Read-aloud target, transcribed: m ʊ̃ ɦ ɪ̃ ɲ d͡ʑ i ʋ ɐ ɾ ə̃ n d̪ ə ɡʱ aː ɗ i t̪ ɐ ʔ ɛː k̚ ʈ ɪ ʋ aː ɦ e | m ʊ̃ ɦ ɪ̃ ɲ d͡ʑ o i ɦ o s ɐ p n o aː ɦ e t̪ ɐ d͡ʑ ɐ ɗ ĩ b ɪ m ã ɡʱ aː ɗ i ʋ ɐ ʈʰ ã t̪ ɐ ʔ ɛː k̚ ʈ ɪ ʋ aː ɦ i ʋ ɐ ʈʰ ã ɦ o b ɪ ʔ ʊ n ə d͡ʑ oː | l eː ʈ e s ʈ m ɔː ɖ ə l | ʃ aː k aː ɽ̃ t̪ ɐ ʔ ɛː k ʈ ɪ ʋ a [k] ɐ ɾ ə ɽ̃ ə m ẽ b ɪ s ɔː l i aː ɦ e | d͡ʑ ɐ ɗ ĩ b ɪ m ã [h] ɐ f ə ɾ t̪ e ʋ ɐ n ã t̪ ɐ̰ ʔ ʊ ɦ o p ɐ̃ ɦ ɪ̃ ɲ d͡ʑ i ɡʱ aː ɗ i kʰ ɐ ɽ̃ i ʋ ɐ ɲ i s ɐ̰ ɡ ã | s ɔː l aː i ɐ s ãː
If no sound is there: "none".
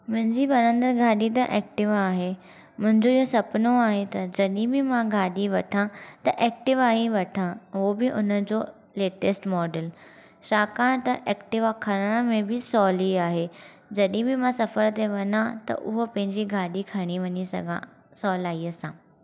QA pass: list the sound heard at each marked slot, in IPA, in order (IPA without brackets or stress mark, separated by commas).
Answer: kʰ, s